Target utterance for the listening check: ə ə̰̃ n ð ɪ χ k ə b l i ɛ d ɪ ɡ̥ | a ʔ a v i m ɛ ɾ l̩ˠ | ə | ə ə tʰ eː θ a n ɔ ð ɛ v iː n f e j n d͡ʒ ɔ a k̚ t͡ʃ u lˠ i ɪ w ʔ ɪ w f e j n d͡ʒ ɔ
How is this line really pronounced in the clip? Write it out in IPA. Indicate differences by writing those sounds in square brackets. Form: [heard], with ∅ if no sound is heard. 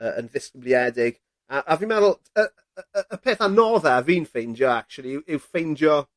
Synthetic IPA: ə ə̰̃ n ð ɪ [s] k ə b l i ɛ d ɪ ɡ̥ | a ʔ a v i m ɛ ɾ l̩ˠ | ə | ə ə [pʰ] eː θ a n ɔ ð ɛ v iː n f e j n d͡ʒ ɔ a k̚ t͡ʃ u lˠ i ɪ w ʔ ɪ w f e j n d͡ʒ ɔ